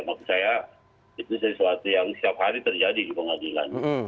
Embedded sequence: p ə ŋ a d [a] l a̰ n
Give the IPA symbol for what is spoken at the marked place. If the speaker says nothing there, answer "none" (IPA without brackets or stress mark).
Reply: i